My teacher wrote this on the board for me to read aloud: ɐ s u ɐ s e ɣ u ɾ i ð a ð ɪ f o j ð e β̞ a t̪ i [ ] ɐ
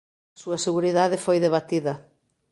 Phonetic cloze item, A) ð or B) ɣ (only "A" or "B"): A